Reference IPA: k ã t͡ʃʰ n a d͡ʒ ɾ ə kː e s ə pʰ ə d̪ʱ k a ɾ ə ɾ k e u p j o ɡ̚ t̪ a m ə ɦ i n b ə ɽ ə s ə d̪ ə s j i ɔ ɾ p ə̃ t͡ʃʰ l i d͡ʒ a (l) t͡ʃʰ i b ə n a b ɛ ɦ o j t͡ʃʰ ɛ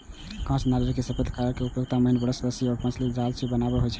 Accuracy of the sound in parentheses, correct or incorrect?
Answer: correct